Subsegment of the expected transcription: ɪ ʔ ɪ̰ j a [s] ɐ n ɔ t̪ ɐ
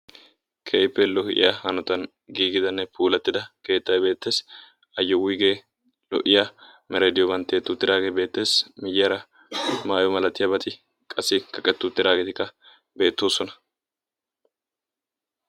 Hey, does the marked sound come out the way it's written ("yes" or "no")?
no